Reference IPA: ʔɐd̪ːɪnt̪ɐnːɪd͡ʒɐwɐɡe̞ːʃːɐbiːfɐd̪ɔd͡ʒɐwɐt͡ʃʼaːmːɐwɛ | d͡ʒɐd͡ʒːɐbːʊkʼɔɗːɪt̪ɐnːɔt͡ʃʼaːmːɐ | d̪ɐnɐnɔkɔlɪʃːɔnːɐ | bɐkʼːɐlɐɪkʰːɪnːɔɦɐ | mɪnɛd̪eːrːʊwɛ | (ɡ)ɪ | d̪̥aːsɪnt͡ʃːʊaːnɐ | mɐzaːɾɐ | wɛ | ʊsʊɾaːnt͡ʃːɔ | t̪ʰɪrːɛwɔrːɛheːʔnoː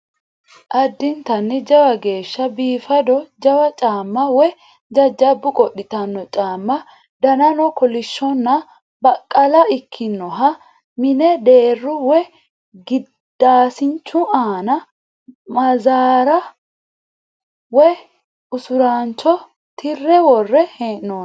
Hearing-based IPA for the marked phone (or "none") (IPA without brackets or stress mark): ɡ